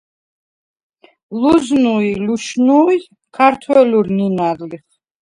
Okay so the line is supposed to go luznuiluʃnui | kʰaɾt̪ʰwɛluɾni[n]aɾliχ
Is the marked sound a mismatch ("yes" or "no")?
no